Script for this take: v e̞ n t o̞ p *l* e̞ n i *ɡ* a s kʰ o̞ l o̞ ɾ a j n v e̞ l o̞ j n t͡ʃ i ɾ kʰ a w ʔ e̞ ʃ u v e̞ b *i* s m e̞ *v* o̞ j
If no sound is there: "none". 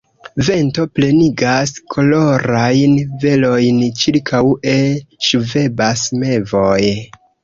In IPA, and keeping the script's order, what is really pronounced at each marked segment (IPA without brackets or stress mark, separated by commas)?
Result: l, ɡ, a, v